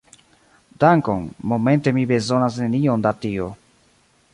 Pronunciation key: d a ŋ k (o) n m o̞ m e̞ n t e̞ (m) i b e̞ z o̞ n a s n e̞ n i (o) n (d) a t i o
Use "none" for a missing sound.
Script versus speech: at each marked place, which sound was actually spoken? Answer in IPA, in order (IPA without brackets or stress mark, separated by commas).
o, m, o, d